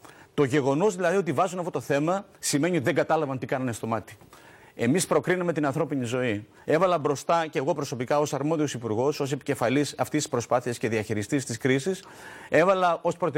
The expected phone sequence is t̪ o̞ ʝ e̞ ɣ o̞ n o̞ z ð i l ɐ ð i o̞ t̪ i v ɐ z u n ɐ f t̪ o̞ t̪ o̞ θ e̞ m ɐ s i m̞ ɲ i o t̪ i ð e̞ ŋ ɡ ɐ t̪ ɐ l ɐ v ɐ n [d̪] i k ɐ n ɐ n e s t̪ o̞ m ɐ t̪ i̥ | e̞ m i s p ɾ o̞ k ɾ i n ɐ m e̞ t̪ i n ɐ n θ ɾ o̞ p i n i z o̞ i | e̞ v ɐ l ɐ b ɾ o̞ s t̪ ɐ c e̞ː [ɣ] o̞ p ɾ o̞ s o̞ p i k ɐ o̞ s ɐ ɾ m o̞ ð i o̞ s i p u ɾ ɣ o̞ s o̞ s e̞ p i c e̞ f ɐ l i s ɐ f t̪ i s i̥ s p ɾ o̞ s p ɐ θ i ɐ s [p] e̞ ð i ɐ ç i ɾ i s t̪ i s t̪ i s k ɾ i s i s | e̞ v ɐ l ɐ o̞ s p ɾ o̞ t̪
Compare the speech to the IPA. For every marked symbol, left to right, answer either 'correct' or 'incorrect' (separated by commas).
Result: incorrect, correct, incorrect